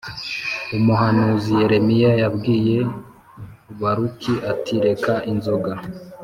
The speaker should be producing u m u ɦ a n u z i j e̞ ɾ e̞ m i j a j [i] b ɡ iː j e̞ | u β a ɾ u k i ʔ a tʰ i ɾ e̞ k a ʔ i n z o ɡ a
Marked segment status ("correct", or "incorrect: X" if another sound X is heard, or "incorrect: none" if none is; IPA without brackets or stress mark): incorrect: a